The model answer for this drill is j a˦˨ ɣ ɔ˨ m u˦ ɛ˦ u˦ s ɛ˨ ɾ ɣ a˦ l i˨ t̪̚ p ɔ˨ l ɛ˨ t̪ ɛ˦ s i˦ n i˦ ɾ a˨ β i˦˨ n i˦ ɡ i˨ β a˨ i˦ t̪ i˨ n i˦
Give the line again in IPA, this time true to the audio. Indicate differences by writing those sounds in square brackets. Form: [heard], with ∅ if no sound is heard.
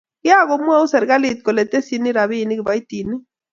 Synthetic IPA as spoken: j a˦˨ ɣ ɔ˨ m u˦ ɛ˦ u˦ s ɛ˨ ɾ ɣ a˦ l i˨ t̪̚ [k] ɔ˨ l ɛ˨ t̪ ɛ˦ s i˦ n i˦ ɾ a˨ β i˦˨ n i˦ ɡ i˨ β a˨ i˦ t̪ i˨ n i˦

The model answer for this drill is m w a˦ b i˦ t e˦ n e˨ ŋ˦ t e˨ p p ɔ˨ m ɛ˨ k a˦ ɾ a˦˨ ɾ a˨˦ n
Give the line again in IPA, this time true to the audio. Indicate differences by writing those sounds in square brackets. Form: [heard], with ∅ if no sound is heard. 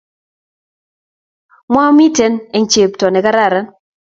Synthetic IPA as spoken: m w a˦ [m] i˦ t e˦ n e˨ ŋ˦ [t͡ʃ] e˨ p [t] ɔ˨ [n] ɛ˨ k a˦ ɾ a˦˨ ɾ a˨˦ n

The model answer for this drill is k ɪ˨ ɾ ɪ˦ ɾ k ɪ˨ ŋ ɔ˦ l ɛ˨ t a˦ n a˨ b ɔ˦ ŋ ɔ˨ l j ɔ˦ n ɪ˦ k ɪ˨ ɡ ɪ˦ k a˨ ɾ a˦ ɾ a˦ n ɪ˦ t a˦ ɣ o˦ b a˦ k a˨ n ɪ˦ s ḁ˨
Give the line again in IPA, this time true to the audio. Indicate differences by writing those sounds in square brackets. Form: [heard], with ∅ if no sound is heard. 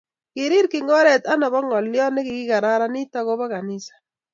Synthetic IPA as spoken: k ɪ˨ ɾ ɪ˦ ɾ k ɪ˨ ŋ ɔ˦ [ɾ] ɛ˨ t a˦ n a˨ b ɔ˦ ŋ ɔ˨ l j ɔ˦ n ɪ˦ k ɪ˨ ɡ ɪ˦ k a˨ ɾ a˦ ɾ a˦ n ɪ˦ t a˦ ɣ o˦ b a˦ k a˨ n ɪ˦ s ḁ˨

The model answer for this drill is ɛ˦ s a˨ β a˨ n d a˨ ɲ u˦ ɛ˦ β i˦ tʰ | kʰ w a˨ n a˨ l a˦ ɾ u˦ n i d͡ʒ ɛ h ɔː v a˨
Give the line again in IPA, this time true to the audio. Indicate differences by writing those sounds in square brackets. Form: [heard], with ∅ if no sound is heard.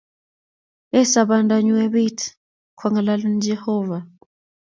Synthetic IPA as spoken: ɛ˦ s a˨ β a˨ n d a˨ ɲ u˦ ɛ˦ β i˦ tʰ | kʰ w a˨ [ŋ] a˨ l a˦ [l] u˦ n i d͡ʒ ɛ h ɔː v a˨

